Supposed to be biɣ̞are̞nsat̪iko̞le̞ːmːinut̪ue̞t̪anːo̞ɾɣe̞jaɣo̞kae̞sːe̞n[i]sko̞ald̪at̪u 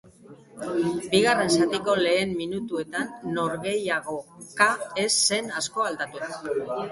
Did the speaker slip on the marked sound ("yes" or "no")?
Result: yes